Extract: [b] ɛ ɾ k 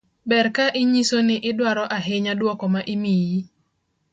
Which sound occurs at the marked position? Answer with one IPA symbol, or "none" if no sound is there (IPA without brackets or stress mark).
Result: b